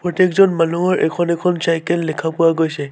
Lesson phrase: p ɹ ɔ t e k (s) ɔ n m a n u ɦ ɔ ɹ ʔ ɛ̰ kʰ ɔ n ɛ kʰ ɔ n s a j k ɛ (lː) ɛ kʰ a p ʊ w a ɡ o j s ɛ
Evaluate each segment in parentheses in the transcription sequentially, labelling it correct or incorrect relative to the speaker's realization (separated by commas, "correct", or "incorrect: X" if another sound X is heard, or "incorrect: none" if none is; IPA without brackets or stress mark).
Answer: incorrect: z, correct